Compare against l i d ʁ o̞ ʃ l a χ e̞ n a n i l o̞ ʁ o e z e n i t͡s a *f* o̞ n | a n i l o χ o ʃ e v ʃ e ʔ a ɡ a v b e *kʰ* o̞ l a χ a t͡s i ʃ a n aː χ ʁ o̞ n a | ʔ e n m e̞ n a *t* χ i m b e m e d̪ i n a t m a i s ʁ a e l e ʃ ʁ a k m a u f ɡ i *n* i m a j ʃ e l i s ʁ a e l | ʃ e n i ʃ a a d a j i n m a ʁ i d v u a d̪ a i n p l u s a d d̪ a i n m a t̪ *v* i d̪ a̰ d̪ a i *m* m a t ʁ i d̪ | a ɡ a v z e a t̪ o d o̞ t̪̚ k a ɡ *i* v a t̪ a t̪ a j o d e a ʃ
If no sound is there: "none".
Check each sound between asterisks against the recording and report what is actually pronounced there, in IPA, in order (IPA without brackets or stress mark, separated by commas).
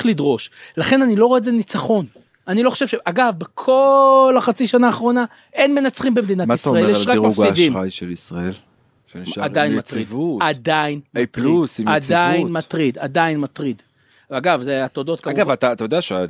χ, kʰ, t͡s, d, ʁ, n, a